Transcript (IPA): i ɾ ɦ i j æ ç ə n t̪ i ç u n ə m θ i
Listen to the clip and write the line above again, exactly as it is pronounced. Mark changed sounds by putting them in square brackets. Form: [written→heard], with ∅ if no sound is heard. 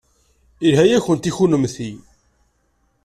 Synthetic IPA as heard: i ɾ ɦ [i→æ] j æ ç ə n t̪ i ç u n ə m θ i